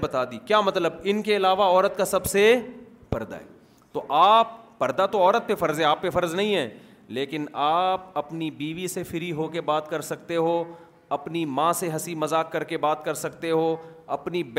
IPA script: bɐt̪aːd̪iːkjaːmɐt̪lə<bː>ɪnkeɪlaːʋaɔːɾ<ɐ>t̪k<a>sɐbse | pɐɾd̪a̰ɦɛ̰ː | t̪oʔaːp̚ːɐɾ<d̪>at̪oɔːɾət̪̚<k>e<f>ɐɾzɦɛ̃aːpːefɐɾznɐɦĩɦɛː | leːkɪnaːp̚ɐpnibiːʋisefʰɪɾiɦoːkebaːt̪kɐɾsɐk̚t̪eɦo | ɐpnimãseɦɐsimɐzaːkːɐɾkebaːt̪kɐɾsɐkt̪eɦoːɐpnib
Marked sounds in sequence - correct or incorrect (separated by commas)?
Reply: incorrect, incorrect, correct, correct, incorrect, correct